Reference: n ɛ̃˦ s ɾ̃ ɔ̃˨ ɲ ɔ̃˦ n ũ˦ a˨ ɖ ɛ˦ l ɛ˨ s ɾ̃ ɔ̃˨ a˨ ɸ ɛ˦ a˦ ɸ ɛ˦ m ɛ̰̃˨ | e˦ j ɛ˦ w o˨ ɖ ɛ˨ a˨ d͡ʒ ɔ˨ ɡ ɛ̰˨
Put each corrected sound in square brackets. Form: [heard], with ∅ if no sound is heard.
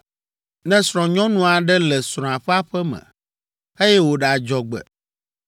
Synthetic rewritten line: n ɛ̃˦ s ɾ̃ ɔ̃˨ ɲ ɔ̃˦ n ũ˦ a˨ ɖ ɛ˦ l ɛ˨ s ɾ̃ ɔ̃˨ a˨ ɸ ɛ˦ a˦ ɸ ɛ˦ m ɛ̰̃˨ | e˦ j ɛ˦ w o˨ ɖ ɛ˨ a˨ d͡ʒ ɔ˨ [ɡ͡b] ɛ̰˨